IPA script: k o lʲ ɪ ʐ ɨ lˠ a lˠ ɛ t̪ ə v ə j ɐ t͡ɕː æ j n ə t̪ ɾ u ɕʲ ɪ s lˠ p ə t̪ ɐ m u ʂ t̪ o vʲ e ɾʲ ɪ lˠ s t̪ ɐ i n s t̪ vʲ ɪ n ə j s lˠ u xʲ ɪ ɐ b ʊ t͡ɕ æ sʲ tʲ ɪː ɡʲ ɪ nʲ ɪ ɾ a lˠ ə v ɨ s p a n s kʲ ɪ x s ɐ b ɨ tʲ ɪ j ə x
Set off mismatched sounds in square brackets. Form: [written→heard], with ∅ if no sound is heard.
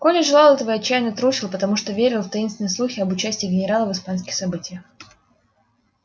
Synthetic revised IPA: k o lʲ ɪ ʐ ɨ lˠ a lˠ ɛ t̪ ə v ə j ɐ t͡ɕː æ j n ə t̪ ɾ u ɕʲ ɪ [s→∅] lˠ p ə t̪ ɐ m u ʂ t̪ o vʲ e ɾʲ ɪ lˠ [s→f] t̪ ɐ i n s t̪ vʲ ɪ n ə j s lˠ u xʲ ɪ ɐ b ʊ t͡ɕ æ sʲ tʲ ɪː ɡʲ ɪ nʲ ɪ ɾ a lˠ ə v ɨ s p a n s kʲ ɪ x s ɐ b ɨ tʲ ɪ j ə x